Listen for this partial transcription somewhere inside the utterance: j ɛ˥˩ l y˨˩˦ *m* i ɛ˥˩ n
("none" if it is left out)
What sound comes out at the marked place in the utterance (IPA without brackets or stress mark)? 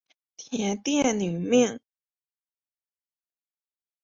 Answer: m